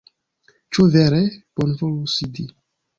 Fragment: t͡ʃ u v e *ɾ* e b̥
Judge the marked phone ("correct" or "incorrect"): correct